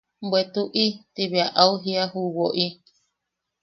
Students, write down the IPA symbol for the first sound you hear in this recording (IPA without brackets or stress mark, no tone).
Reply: b